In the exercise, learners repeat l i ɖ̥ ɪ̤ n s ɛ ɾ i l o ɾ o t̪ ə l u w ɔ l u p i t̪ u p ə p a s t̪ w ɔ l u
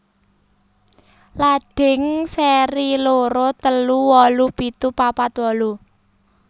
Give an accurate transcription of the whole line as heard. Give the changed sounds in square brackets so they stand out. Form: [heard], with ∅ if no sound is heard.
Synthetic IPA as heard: l [a] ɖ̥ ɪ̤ [ŋ] s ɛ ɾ i l o ɾ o t̪ ə l u w ɔ l u p i t̪ u p [a] p a [∅] t̪ w ɔ l u